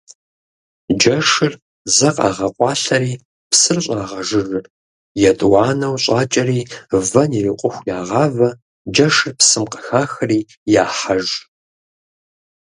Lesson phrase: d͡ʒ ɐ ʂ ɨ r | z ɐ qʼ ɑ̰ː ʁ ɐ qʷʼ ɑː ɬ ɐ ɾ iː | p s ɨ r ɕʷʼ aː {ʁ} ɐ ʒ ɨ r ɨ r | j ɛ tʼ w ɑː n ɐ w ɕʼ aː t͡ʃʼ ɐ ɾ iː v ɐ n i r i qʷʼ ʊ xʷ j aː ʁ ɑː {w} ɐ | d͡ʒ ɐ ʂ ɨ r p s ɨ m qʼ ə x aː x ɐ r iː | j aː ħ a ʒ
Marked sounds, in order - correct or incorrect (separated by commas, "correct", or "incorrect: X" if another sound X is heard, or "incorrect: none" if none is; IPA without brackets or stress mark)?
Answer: correct, incorrect: v